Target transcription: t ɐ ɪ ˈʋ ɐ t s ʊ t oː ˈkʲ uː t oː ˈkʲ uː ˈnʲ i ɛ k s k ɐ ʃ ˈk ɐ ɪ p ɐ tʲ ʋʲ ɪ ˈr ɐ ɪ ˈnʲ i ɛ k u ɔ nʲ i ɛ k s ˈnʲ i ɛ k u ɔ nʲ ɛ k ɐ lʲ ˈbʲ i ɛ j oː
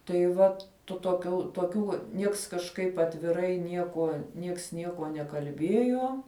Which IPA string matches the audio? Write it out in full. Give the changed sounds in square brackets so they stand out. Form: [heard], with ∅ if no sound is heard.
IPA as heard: t ɐ ɪ ˈʋ ɐ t [t] ʊ t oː ˈkʲ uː t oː ˈkʲ uː ˈnʲ i ɛ k s k ɐ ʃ ˈk ɐ ɪ p ɐ tʲ ʋʲ ɪ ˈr ɐ ɪ ˈnʲ i ɛ k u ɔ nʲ i ɛ k s ˈnʲ i ɛ k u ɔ nʲ ɛ k ɐ lʲ ˈbʲ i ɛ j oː

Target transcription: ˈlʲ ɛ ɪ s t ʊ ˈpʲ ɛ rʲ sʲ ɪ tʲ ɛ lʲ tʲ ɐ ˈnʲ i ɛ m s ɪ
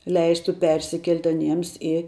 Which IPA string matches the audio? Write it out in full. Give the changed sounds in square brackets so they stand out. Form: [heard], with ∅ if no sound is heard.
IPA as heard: ˈlʲ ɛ ɪ s t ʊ ˈpʲ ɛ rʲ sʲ ɪ [kʲ] ɛ lʲ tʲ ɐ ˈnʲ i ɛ m s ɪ

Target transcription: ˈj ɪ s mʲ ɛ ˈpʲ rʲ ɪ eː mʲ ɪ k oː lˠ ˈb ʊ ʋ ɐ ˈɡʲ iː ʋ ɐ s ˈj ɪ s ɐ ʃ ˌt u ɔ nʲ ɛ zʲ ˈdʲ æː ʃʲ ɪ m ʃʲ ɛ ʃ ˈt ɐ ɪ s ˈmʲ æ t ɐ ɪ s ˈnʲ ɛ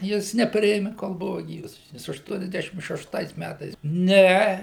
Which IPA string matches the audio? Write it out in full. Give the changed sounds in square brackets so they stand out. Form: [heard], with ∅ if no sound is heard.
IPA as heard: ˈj ɪ s [nʲ] ɛ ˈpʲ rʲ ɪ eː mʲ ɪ k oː lˠ ˈb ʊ ʋ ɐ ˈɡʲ iː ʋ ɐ s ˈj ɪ s ɐ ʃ ˌt u ɔ nʲ ɛ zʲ ˈdʲ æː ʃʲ ɪ m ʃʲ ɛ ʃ ˈt ɐ ɪ s ˈmʲ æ t ɐ ɪ s ˈnʲ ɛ

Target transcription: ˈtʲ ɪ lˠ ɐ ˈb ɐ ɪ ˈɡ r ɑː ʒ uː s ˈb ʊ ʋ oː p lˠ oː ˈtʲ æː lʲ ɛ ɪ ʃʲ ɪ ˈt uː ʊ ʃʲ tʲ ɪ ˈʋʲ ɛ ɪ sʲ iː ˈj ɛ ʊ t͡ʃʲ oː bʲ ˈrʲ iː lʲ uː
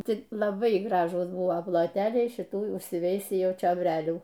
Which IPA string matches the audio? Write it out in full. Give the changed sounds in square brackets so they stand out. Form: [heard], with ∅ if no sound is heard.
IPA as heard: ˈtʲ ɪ lˠ ɐ ˈb ɐ ɪ ˈɡ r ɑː ʒ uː s ˈb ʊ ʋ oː p lˠ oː ˈtʲ æː lʲ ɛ ɪ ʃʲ ɪ ˈt uː ʊ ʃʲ [sʲ] ɪ ˈʋʲ ɛ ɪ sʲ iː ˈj ɛ ʊ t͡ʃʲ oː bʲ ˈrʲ [æː] lʲ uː

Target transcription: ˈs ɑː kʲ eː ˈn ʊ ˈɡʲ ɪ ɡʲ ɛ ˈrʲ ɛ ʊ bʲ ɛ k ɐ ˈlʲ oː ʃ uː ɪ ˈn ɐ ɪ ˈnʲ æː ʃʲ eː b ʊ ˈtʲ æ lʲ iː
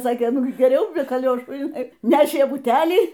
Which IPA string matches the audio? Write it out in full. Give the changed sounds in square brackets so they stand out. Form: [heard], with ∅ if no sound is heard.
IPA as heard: ˈs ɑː kʲ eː ˈn ʊ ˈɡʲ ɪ ɡʲ ɛ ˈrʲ ɛ ʊ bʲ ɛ k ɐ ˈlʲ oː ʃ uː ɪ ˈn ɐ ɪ ˈnʲ æː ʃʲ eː b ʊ ˈtʲ æ lʲ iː

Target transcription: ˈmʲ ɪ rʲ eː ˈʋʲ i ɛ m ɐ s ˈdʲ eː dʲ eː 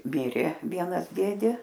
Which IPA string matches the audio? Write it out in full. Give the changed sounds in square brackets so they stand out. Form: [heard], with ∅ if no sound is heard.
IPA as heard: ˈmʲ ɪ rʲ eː ˈʋʲ i ɛ [n] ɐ s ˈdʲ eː dʲ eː

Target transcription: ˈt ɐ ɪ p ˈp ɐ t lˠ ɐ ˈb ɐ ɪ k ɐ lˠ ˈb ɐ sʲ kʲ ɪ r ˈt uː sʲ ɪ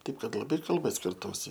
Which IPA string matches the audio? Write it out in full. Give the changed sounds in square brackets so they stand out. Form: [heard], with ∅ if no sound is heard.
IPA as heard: ˈt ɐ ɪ p [ˈk] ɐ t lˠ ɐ ˈb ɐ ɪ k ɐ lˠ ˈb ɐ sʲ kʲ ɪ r ˈt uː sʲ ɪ

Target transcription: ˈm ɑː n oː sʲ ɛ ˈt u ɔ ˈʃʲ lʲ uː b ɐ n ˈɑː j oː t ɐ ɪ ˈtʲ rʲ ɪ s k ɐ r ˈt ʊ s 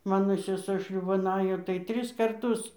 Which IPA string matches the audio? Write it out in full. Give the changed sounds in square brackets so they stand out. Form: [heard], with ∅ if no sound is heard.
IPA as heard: ˈm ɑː n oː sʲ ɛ [ˈs] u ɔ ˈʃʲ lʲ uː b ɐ n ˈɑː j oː t ɐ ɪ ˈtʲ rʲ ɪ s k ɐ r ˈt ʊ s

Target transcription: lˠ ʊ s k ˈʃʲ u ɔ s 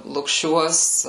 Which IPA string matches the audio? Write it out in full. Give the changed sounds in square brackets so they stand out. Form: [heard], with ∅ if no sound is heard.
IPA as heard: lˠ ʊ [∅] k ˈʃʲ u ɔ s

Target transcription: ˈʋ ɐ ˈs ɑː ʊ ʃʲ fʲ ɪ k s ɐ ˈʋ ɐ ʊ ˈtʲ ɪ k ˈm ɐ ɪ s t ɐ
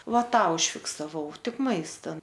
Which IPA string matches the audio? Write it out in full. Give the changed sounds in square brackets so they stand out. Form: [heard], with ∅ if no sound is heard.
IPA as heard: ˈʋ ɐ [ˈt] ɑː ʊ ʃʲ fʲ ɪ k s ɐ ˈʋ ɐ ʊ ˈtʲ ɪ k ˈm ɐ ɪ s t ɐ

